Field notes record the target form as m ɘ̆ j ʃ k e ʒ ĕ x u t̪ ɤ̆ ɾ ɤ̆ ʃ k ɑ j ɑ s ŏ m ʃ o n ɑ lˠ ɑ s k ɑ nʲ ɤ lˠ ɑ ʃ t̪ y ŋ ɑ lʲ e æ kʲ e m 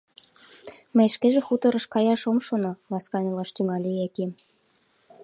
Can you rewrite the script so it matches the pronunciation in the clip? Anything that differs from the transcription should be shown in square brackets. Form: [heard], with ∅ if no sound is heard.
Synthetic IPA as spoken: m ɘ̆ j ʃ k e ʒ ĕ x u t̪ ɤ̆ ɾ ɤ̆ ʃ k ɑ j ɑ [ʃ] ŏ m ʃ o n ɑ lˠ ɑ s k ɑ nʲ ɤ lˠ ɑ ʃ t̪ y ŋ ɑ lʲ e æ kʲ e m